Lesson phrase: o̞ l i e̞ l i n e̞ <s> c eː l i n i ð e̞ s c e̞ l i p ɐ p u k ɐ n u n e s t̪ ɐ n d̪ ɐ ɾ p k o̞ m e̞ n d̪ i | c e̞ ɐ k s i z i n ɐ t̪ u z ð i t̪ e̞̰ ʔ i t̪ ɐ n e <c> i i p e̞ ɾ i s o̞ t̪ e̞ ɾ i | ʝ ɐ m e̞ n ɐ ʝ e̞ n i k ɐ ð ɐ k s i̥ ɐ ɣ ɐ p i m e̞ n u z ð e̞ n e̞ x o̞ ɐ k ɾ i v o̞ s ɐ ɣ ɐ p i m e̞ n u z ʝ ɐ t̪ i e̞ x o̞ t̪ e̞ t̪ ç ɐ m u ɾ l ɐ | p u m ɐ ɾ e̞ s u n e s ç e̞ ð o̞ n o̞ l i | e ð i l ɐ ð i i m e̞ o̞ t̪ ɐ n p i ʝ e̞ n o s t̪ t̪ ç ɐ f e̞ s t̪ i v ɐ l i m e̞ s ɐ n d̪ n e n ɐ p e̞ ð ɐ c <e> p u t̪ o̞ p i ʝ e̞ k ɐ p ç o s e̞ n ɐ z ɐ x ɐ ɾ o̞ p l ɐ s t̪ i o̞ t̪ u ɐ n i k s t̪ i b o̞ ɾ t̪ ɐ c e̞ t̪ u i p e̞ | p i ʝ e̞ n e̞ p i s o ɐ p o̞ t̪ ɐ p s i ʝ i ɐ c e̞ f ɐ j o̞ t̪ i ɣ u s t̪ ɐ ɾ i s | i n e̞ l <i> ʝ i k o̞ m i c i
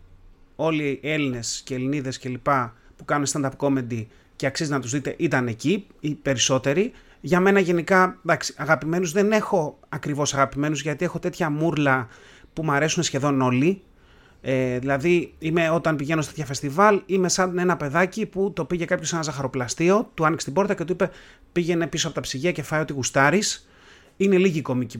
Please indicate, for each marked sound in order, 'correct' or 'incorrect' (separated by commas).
correct, correct, incorrect, correct